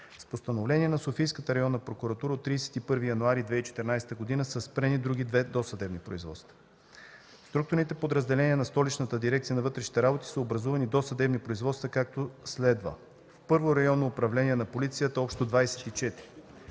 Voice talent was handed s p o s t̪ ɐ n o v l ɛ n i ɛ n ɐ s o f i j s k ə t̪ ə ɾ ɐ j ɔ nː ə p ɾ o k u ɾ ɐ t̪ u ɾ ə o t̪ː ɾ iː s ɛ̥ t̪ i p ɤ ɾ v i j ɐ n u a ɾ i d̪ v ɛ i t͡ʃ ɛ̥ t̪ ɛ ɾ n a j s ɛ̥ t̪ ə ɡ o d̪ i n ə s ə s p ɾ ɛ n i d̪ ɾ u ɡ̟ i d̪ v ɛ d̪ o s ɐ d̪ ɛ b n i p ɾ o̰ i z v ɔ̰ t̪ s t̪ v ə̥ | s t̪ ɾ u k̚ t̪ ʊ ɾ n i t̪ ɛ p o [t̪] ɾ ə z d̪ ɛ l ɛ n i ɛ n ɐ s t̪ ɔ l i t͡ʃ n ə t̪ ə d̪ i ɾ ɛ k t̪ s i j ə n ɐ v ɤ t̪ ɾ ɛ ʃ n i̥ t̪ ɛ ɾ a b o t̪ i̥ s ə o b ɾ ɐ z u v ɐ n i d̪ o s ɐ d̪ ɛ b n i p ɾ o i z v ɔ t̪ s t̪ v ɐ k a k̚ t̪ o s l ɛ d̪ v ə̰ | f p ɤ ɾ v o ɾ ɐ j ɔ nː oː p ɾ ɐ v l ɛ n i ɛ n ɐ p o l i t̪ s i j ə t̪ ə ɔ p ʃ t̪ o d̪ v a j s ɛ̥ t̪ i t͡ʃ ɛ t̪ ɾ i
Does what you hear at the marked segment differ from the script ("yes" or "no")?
yes